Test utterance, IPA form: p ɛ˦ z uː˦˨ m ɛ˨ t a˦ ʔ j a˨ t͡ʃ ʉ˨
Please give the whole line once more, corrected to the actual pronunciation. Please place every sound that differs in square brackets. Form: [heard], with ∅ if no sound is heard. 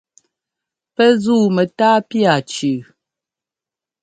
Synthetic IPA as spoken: p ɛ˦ z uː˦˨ m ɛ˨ t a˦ [p] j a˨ t͡ʃ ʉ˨